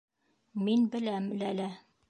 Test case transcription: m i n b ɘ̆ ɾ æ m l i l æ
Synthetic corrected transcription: m i n b ɘ̆ l æ m l æ l æ